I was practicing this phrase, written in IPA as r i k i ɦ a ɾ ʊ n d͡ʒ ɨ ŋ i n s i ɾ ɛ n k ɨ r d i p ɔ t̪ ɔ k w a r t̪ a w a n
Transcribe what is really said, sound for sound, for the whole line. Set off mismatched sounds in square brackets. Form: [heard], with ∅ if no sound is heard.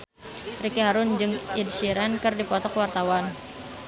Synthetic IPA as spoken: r i k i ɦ a ɾ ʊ n d͡ʒ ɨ ŋ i [d] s i ɾ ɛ n k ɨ r d i p ɔ t̪ ɔ k w a r t̪ a w a n